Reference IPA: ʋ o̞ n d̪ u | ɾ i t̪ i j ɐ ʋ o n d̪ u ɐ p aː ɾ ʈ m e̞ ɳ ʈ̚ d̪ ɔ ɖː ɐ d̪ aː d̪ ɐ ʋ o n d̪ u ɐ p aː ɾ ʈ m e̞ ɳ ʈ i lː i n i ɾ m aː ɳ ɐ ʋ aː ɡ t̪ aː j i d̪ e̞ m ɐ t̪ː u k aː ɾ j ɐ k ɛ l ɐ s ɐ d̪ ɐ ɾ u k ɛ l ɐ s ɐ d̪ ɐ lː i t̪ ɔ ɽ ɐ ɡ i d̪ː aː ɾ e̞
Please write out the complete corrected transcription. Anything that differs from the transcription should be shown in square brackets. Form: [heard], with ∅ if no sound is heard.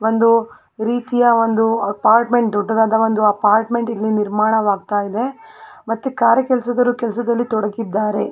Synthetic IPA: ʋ o̞ n d̪ u | ɾ [iː] t̪ i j ɐ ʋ o n d̪ u ɐ p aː ɾ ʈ m e̞ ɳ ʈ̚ d̪ ɔ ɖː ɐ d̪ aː d̪ ɐ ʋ o n d̪ u ɐ p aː ɾ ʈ m e̞ ɳ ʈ i lː i n i ɾ m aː ɳ ɐ ʋ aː ɡ t̪ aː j i d̪ e̞ m ɐ t̪ː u k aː ɾ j ɐ k ɛ l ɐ s ɐ d̪ ɐ ɾ u k ɛ l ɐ s ɐ d̪ ɐ lː i t̪ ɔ ɽ ɐ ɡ i d̪ː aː ɾ e̞

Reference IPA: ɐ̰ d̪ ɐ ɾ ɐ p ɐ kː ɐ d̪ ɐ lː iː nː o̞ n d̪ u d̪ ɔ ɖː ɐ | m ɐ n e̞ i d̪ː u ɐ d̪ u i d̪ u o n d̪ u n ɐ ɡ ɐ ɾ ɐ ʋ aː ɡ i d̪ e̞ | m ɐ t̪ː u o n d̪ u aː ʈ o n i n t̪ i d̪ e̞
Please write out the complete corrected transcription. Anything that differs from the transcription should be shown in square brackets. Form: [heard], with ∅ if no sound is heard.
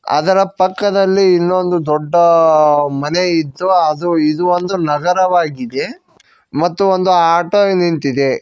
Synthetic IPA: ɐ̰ d̪ ɐ ɾ ɐ p ɐ kː ɐ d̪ ɐ lː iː nː o̞ n d̪ u d̪ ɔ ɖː ɐ | m ɐ n e̞ i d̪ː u ɐ d̪ u i d̪ u o n d̪ u n ɐ ɡ ɐ ɾ ɐ ʋ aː ɡ i d̪ e̞ | m ɐ t̪ː u o n d̪ u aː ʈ o n i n t̪ i d̪ e̞

